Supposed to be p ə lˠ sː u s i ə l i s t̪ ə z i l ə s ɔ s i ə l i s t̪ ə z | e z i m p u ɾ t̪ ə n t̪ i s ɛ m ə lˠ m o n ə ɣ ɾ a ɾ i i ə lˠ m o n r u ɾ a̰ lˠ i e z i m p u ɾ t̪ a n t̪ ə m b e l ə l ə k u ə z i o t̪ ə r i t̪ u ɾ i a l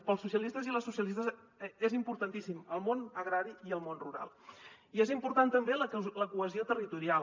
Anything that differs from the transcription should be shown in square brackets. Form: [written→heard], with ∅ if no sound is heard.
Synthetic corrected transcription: p ə lˠ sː u s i ə l i s t̪ ə z i l ə s [ɔ→u] s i ə l i s t̪ ə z | e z i m p u ɾ t̪ ə n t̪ i s [ɛ→i] m ə lˠ m o n ə ɣ ɾ a ɾ i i ə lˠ m o n r u ɾ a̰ lˠ i e z i m p u ɾ t̪ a n t̪ ə m b e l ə l ə k u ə z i o t̪ ə r i t̪ u ɾ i a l